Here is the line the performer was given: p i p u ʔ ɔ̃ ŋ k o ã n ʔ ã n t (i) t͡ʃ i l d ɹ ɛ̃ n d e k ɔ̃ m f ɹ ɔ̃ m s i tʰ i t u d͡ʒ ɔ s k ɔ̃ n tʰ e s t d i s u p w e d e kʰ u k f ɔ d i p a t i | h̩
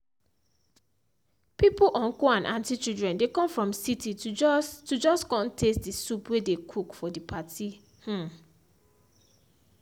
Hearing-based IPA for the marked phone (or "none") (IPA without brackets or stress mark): i